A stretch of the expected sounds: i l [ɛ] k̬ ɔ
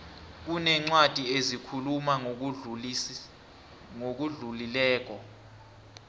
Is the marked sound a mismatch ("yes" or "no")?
yes